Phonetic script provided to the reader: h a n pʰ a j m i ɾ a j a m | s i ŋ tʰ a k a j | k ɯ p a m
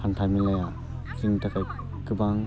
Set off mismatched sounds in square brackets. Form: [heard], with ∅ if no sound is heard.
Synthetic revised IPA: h a n [tʰ] a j m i [l] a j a [∅] | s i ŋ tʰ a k a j | k ɯ [b] a [ŋ]